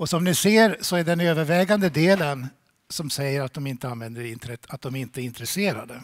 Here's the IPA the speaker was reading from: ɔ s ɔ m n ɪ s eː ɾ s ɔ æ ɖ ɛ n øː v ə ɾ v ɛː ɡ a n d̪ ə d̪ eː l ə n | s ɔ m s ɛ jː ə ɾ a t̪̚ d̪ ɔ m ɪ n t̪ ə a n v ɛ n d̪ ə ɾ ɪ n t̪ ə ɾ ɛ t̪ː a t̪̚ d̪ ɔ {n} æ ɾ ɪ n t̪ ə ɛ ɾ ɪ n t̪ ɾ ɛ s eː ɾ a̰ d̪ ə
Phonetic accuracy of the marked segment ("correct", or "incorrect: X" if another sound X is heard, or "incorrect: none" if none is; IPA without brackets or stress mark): incorrect: m